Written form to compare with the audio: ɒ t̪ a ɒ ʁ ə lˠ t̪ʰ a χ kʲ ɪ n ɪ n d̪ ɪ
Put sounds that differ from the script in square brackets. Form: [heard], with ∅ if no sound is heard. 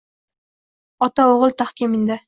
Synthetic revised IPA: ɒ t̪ a [o] ʁ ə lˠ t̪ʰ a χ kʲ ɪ [m] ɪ n d̪ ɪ